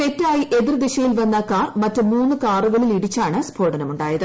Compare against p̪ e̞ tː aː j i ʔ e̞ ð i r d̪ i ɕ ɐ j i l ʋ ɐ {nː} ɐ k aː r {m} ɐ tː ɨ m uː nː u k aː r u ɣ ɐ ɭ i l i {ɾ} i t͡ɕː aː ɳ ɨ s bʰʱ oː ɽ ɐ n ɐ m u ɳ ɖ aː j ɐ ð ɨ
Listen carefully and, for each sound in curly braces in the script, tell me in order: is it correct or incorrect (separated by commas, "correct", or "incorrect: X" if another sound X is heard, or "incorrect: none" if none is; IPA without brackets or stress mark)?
correct, correct, incorrect: ɽ